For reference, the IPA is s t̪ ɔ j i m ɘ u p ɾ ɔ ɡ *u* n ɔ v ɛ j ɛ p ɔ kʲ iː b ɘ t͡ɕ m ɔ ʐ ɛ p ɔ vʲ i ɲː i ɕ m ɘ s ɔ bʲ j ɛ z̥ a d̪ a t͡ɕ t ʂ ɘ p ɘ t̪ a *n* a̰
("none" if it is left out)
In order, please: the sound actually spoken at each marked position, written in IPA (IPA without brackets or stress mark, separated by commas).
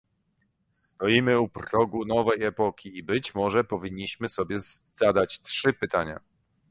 u, ɲ